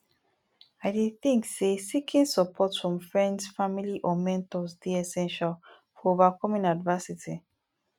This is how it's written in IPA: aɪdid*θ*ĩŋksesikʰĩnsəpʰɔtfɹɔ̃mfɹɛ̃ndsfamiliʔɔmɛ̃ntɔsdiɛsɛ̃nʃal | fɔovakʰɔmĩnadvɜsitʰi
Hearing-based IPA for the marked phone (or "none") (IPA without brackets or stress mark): θ